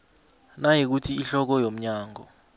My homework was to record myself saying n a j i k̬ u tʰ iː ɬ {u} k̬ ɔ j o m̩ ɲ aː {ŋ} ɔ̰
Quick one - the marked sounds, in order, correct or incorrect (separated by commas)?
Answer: incorrect, correct